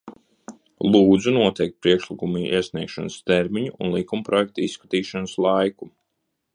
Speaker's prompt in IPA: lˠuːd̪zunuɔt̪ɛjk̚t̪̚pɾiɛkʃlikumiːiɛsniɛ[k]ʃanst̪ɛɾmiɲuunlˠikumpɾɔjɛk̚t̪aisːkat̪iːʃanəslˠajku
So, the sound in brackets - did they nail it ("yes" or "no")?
yes